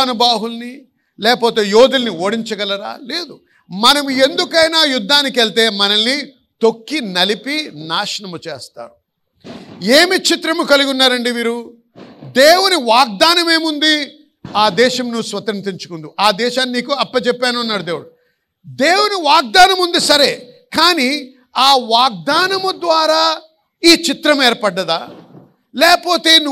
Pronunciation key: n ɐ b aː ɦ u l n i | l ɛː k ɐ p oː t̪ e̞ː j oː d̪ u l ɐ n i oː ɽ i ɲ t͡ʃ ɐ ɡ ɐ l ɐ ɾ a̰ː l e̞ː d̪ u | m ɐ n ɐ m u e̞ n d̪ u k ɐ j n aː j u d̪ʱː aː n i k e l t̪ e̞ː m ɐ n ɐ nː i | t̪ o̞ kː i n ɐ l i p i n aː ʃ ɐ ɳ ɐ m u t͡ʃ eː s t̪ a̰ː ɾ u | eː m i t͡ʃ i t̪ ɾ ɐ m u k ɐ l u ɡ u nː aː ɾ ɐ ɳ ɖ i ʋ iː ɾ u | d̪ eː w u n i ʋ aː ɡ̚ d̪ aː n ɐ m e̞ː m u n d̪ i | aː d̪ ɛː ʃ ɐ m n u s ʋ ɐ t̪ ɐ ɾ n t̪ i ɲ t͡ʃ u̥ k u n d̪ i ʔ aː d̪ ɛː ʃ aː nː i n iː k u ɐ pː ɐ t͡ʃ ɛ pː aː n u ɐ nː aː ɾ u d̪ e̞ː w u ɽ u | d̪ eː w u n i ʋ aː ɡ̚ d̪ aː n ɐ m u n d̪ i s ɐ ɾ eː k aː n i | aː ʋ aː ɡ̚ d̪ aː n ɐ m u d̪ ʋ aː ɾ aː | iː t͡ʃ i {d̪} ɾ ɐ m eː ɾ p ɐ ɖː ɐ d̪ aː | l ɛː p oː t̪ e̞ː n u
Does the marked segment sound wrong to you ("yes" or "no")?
yes